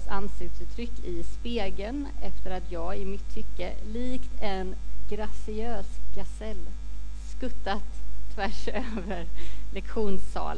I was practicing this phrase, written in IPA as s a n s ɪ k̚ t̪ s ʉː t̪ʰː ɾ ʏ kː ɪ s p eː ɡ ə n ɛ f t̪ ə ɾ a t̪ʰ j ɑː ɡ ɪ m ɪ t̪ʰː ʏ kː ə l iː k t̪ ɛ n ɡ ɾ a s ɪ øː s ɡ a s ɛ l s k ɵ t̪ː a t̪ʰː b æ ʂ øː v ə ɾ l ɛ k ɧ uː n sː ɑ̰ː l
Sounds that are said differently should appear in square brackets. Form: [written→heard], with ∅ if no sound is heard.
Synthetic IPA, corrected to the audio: s a n s ɪ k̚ t̪ s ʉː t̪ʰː ɾ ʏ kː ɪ s p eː ɡ ə n ɛ f t̪ ə ɾ a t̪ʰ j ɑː ɡ ɪ m ɪ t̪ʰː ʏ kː ə l iː k t̪ ɛ n ɡ ɾ a s ɪ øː s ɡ a s ɛ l s k ɵ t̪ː a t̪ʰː [b→v] æ ʂ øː v ə ɾ l ɛ k ɧ uː n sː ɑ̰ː l